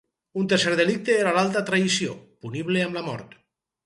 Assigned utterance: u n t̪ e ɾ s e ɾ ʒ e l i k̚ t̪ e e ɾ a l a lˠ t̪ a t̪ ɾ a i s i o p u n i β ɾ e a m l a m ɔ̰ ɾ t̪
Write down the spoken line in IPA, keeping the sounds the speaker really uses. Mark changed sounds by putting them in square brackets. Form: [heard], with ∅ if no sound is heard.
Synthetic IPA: u n t̪ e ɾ s e ɾ [ð] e l i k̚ t̪ e e ɾ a l a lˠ t̪ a t̪ ɾ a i s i o p u n i β [l] e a m l a m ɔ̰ ɾ t̪